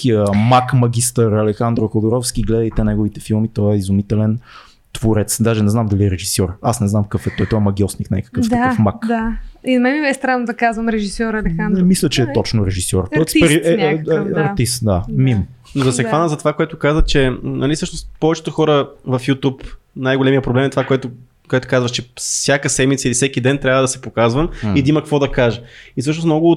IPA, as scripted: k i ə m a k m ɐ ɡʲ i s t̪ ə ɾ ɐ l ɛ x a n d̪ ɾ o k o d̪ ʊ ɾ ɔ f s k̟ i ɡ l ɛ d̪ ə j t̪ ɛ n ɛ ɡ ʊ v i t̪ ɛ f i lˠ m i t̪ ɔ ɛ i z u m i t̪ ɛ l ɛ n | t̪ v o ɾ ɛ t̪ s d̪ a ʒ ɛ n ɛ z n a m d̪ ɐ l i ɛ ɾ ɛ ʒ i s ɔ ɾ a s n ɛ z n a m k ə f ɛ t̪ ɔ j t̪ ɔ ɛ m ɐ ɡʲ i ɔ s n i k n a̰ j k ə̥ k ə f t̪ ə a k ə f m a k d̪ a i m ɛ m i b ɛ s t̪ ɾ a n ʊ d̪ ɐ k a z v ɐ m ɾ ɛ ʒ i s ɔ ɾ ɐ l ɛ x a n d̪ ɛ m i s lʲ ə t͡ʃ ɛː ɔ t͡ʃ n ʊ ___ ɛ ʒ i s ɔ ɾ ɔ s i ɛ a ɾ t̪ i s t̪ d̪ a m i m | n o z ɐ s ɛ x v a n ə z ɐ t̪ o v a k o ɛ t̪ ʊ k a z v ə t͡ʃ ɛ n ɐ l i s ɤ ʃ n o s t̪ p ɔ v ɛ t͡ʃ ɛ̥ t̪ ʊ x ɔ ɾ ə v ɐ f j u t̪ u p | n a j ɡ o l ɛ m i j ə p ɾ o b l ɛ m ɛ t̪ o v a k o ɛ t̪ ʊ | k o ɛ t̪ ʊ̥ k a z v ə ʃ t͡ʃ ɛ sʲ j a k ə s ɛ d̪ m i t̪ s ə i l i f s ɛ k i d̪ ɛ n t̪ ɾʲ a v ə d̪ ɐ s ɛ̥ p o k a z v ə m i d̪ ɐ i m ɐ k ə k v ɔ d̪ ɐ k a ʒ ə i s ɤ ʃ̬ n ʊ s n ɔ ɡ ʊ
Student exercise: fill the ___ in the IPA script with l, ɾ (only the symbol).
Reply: ɾ